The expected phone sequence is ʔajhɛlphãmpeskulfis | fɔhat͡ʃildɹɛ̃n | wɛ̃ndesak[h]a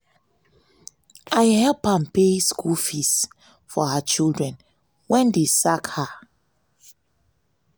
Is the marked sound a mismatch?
no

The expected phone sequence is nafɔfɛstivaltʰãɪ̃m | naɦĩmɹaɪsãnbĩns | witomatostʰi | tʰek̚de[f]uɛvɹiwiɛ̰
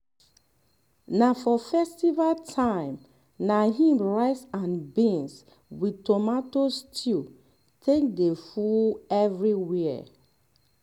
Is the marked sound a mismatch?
no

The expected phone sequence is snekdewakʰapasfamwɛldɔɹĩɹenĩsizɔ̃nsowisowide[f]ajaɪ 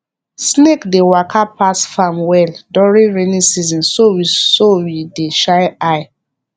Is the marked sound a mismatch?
yes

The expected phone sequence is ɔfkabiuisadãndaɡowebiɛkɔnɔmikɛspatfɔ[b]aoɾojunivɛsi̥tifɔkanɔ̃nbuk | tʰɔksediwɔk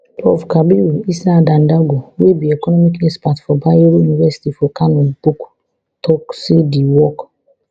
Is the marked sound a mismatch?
no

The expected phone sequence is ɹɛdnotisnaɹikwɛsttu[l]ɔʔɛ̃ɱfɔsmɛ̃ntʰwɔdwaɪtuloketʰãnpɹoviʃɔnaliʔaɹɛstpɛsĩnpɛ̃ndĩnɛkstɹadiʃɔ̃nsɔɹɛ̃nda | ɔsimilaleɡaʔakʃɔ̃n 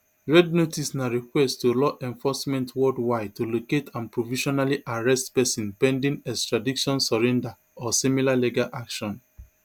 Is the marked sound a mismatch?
no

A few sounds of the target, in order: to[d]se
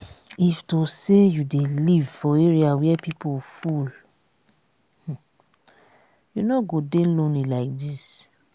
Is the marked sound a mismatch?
yes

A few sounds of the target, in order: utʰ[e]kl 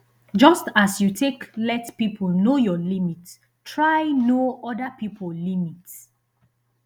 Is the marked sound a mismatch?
no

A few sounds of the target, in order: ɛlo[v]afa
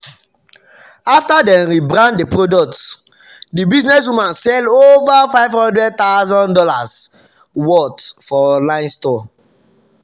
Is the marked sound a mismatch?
no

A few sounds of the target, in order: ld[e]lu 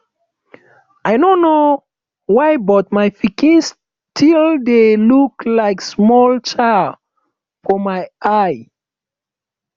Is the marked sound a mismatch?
no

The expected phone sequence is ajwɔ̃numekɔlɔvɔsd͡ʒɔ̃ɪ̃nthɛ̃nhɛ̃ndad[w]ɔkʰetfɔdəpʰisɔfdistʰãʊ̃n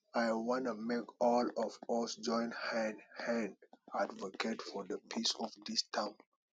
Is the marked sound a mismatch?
yes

